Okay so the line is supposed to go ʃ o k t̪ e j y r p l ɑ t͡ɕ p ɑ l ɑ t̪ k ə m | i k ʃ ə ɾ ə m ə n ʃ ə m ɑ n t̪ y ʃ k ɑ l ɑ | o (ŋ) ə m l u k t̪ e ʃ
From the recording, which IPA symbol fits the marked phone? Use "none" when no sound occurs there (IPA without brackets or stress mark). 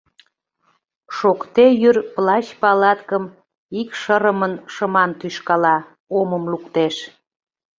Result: m